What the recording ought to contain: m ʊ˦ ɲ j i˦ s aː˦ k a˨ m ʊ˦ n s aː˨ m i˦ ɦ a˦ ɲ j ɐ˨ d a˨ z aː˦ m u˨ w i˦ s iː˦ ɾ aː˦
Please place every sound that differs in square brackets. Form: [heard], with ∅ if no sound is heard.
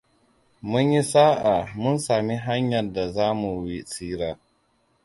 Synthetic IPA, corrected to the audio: m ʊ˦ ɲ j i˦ s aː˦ [ʔ] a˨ m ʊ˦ n s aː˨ m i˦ ɦ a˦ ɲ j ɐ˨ d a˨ z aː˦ m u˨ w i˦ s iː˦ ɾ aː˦